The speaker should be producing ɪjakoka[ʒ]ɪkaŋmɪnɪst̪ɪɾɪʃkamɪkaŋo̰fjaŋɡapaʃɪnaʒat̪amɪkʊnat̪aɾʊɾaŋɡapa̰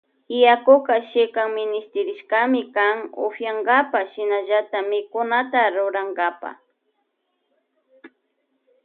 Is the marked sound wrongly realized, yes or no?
yes